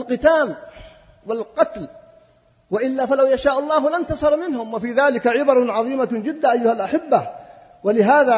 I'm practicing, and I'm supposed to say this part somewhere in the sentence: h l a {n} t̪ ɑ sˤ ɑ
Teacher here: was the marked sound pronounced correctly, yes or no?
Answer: yes